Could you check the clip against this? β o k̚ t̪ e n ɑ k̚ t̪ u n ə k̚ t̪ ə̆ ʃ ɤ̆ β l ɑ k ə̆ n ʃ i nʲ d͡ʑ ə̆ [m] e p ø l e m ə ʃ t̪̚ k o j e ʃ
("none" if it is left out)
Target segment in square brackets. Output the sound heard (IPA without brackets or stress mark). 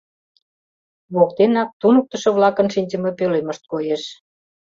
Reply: m